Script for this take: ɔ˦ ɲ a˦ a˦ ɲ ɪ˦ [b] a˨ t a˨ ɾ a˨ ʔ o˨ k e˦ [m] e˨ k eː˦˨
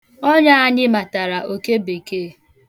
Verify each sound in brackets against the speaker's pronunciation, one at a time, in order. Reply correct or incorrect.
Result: incorrect: m, incorrect: b

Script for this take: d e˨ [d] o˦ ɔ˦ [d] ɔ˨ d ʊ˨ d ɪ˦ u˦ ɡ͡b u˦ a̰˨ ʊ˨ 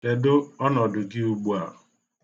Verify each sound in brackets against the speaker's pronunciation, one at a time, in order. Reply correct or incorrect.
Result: correct, incorrect: n

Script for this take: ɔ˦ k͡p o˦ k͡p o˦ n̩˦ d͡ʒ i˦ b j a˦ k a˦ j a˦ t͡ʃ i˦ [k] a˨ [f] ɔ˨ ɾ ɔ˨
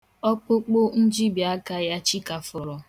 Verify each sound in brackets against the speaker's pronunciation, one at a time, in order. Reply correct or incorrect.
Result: correct, correct

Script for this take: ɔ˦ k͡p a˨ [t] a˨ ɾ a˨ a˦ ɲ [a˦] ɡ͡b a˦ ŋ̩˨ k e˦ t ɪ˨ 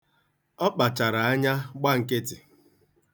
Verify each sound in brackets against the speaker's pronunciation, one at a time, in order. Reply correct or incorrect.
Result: incorrect: t͡ʃ, correct

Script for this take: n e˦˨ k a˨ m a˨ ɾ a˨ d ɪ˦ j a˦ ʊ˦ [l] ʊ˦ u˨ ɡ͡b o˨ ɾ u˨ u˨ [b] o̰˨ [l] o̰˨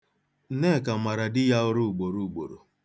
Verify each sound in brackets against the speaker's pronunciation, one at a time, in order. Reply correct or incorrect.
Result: incorrect: ɾ, incorrect: ɡ͡b, incorrect: ɾ

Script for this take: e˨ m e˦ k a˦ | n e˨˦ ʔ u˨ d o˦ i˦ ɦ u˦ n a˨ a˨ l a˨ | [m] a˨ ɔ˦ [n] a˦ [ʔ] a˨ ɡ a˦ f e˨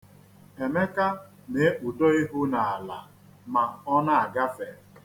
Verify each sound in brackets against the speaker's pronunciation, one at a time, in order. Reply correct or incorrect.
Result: correct, correct, incorrect: none

